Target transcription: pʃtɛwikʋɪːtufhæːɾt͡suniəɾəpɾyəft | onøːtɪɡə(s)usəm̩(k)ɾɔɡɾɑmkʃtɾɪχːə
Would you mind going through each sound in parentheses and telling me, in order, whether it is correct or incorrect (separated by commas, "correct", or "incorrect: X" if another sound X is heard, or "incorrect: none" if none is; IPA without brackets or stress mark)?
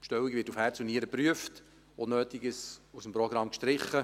correct, incorrect: p